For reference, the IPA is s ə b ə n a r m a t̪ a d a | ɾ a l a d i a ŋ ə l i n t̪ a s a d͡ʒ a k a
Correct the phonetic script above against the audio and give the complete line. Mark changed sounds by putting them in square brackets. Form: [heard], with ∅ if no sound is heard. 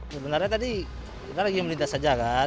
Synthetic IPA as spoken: s ə b ə n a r [ɲ] a t̪ a d [i] | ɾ a l a [ɡ] i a [m] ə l i n t̪ a s a d͡ʒ a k a

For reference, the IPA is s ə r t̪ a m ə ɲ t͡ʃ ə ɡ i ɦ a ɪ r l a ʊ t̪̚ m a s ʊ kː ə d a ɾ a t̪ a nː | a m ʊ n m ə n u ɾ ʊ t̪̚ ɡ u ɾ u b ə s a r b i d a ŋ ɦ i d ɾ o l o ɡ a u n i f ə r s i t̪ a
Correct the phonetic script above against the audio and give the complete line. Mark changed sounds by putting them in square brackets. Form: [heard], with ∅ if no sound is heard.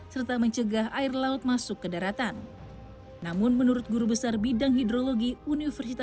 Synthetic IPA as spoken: s ə r t̪ a m ə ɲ t͡ʃ ə ɡ [a] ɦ a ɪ r l a ʊ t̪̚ m a s ʊ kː ə d a ɾ a t̪ a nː | a m ʊ n m ə n u ɾ ʊ t̪̚ ɡ u ɾ u b ə s a r b i d a ŋ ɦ i d ɾ o l o ɡ [i] u n i f ə r s i t̪ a

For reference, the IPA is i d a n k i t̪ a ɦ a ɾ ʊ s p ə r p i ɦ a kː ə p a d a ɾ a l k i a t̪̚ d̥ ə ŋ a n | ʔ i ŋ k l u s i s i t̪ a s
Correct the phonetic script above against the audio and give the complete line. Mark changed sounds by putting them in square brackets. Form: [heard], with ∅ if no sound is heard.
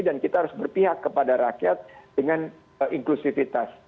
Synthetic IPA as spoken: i d a n k i t̪ a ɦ a ɾ ʊ s [b] ə r p i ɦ a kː ə p a d a ɾ a [∅] k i a t̪̚ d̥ ə ŋ a n | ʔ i ŋ k l u s i [f] i t̪ a s

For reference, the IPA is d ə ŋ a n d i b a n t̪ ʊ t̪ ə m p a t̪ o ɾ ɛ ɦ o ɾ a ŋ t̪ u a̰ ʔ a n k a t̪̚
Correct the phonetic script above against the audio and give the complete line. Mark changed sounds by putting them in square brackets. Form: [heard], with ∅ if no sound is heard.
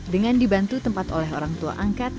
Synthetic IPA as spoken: d ə ŋ a n d i b a n t̪ [u] t̪ ə m p a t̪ o [l] ɛ ɦ o ɾ a ŋ t̪ u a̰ ʔ a [ŋ] k a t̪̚

